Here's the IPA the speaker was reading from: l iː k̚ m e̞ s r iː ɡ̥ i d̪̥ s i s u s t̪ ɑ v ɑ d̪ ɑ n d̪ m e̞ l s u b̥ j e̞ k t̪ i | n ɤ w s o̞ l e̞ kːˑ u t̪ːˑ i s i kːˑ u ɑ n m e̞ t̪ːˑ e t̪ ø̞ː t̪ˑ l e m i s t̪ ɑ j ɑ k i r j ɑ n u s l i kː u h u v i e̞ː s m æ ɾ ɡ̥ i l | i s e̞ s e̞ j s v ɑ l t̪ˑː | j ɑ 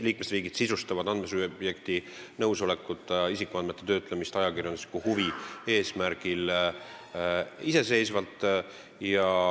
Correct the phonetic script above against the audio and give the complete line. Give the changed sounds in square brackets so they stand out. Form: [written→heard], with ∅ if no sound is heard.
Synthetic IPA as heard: l iː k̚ m e̞ s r iː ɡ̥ i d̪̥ s i s u s t̪ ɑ v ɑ d̪ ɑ n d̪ m e̞ [l→∅] s u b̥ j e̞ k t̪ i | n ɤ w s o̞ l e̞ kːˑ u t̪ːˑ i s i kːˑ u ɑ n m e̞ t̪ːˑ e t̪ ø̞ː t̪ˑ l e m i s t̪ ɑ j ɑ k i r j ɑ n u s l i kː u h u v i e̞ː s m æ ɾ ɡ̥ i l | i s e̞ s e̞ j s v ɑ l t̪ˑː | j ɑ